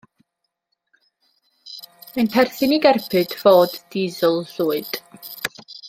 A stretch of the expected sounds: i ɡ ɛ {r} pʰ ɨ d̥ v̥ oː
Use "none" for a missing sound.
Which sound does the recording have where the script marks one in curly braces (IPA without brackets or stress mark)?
r